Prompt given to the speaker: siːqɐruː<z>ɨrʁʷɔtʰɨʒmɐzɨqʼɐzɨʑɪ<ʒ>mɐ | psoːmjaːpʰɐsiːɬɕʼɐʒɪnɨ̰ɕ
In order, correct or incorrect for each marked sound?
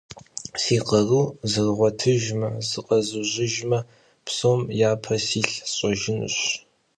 correct, correct

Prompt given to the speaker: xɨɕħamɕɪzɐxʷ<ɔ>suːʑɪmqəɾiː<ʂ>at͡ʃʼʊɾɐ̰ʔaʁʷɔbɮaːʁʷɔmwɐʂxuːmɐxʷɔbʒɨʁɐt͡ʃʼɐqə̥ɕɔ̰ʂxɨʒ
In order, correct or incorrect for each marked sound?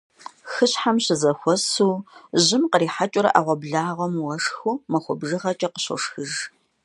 correct, incorrect

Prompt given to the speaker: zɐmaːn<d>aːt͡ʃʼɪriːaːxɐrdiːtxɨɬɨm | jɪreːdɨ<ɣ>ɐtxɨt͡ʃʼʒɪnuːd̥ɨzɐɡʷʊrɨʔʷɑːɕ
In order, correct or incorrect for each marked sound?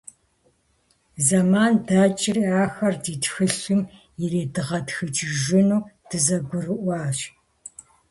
correct, incorrect

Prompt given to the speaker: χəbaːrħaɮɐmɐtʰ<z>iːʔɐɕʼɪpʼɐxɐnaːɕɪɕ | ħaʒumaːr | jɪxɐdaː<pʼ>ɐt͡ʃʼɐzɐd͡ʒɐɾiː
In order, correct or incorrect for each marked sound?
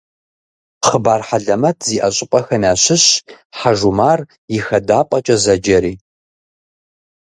correct, correct

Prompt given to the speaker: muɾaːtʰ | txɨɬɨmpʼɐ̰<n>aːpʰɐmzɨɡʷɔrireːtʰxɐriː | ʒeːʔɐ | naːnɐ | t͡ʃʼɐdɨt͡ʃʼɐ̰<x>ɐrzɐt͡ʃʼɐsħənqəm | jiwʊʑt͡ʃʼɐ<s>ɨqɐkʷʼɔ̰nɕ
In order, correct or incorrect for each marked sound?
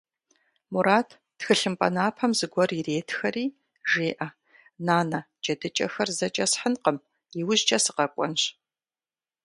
correct, correct, correct

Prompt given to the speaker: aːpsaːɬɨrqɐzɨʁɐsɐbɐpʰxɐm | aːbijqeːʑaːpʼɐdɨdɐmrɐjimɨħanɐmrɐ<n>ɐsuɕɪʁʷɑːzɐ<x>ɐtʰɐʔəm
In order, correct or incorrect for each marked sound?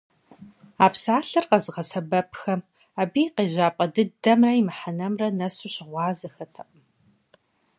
correct, correct

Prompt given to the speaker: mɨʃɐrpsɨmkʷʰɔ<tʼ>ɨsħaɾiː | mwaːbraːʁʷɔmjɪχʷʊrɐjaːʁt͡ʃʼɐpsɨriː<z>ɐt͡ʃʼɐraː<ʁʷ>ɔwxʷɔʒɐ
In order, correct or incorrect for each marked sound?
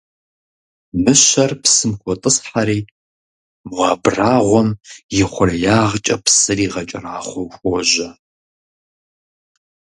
correct, incorrect, incorrect

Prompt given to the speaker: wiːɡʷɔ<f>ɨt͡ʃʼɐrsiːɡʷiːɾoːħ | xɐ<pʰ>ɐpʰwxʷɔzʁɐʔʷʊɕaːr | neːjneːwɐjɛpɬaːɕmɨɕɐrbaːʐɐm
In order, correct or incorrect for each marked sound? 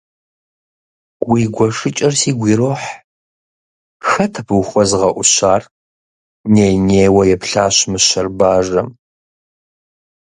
incorrect, incorrect

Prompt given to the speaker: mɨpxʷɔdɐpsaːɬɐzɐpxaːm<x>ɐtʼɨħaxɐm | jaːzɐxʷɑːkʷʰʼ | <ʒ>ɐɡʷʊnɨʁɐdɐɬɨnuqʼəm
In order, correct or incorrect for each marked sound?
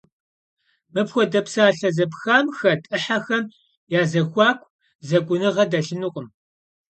correct, incorrect

